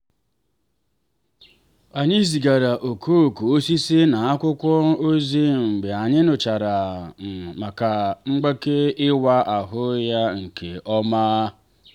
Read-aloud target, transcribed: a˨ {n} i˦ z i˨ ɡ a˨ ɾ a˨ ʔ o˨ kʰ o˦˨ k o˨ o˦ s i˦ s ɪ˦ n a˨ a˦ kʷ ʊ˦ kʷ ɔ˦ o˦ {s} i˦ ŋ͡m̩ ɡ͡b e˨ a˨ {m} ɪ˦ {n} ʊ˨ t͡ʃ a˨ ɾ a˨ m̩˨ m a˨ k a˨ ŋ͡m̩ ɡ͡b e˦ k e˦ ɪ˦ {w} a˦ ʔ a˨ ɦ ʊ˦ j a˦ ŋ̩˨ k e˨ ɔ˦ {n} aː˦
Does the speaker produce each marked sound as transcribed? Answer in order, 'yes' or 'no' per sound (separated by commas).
no, no, no, yes, yes, no